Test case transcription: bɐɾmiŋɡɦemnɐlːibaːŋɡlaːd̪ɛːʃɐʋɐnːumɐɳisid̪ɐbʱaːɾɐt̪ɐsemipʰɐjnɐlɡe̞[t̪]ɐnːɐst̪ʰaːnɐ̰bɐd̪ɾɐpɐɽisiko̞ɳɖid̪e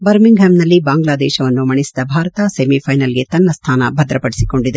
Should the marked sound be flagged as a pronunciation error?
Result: no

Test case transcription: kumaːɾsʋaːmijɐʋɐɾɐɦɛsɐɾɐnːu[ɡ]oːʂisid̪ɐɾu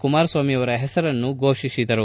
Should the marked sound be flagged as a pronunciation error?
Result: no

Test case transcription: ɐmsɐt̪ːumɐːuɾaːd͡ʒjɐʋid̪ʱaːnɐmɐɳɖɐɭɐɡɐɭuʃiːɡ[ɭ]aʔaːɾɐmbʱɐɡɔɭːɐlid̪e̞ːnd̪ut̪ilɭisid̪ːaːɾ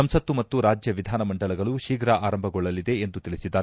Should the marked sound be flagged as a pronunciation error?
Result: yes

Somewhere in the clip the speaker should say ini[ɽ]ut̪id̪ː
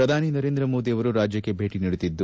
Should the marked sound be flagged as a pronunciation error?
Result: no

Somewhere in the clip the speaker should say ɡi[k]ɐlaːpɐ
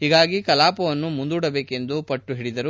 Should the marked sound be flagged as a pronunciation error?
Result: no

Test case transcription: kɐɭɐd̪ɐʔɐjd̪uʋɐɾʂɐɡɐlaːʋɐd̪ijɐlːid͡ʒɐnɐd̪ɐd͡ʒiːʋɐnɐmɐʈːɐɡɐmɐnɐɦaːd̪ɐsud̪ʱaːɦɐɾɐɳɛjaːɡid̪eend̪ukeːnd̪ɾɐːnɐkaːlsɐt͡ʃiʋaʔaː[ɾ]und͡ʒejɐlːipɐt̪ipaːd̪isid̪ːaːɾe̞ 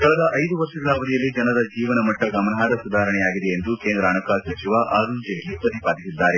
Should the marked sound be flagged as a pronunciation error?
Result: no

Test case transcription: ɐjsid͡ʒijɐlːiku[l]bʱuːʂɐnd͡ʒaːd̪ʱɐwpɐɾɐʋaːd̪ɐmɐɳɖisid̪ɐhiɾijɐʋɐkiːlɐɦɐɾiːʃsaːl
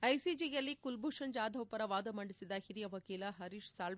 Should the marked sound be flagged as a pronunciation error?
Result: no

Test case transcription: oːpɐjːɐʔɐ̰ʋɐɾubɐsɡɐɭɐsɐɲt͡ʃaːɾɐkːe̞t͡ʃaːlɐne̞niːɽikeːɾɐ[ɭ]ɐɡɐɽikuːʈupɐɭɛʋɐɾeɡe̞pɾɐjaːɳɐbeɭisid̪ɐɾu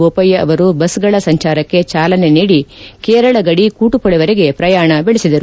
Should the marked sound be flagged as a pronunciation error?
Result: no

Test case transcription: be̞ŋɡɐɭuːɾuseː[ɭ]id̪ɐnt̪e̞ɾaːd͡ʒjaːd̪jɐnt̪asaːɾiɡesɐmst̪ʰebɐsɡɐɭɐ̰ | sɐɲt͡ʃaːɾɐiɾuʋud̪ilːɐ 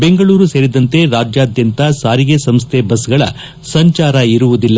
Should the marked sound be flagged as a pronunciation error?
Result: yes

